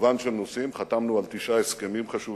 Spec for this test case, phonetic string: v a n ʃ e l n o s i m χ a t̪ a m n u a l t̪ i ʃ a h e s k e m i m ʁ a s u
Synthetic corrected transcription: v a n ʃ e l n o s i m χ a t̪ a m n u a l t̪ i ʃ a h e s k e m i m χ a ʃ u